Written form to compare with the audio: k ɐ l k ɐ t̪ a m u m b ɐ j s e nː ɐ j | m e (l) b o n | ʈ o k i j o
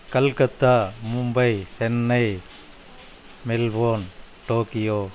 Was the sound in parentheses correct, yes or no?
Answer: yes